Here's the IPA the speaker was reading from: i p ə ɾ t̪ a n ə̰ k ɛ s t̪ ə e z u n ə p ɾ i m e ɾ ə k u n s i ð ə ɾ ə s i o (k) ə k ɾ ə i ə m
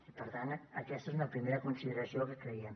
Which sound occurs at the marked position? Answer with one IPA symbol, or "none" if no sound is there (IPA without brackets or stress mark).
k